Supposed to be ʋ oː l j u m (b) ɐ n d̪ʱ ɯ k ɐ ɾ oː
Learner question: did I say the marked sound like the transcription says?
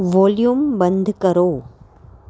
yes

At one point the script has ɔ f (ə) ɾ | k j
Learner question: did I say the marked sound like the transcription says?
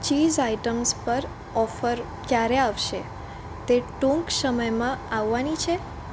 yes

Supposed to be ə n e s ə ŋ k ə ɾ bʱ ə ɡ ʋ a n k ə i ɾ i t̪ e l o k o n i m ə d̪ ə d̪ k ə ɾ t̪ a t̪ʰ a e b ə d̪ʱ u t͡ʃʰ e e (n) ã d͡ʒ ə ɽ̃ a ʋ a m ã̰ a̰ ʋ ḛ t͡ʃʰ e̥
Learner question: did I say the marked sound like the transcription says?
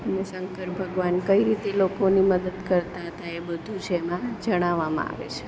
no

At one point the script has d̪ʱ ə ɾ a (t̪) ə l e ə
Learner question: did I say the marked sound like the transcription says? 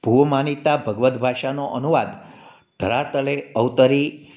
yes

